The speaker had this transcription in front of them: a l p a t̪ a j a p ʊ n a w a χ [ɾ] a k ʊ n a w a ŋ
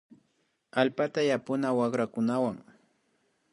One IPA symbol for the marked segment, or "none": ɾ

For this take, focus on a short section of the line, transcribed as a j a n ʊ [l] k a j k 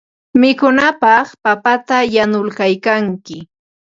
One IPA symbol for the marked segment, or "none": l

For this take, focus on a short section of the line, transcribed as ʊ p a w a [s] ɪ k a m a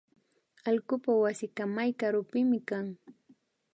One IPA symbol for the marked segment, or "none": s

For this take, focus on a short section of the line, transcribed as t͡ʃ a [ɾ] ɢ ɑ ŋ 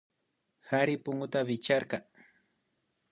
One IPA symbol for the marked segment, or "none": ɾ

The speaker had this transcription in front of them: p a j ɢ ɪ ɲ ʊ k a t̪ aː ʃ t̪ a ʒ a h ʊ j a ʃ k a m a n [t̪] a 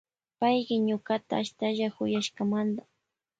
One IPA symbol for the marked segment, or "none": d̪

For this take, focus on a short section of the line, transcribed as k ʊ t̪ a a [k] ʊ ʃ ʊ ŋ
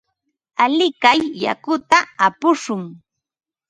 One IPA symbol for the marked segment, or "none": p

